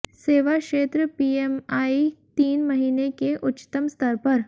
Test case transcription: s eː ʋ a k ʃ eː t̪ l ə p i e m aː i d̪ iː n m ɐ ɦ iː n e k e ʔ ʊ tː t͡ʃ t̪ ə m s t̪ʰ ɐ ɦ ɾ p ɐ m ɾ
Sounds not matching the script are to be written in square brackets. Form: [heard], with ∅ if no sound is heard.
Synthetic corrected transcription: s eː ʋ a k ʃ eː t̪ [ɾ] ə p i e m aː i [t̪] iː n m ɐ ɦ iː n e k e ʔ ʊ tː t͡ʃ t̪ ə m s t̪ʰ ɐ [∅] ɾ p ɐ [∅] ɾ